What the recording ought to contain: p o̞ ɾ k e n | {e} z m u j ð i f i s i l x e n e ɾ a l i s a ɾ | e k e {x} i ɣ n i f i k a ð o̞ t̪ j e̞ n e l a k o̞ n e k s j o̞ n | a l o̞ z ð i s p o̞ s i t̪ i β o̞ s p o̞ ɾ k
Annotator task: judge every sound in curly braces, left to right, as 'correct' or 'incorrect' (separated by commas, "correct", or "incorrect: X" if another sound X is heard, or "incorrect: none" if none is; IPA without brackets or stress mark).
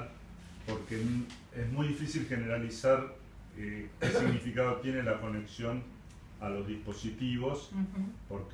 correct, incorrect: s